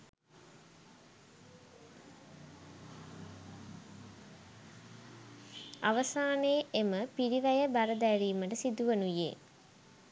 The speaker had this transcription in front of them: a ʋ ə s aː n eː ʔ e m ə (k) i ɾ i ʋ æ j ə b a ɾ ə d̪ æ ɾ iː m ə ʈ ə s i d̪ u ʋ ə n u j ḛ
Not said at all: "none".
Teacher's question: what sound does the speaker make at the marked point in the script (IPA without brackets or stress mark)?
p